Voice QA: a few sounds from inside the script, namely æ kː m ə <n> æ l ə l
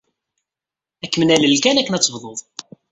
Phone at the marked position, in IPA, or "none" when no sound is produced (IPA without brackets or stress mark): n